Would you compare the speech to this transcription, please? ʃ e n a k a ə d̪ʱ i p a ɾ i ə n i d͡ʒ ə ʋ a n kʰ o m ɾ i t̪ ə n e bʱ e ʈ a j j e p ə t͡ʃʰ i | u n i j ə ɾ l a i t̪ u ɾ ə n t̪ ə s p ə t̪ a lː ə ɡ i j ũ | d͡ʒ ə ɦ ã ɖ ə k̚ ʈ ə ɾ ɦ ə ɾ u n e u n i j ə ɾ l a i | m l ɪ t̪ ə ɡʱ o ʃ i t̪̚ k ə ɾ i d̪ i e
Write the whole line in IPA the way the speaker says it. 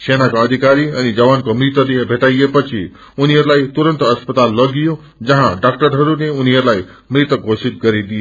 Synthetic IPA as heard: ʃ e n a k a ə d̪ʱ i k a ɾ i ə n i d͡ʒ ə ʋ a n k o m ɾ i t̪ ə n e bʱ e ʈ a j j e p ə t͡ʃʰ i | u n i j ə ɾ l a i t̪ u ɾ ə n t̪ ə s p ə t̪ a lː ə ɡ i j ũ | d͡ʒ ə ɦ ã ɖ a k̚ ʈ ə ɾ ɦ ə ɾ u n e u n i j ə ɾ l a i | m ɾ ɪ t̪ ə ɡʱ o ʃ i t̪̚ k ə ɾ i d̪ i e